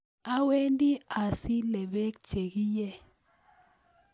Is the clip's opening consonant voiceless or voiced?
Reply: voiced